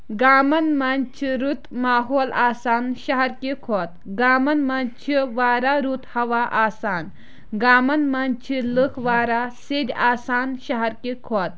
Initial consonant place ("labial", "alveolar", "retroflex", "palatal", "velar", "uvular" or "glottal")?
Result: velar